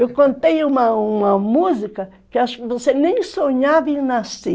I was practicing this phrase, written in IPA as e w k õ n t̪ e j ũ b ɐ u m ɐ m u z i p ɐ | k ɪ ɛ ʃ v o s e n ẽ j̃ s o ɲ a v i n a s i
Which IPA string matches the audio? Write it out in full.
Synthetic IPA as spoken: e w k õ n t̪ e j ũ m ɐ u m ɐ m u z i k ɐ | k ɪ a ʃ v o s e n ẽ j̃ s o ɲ a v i n a s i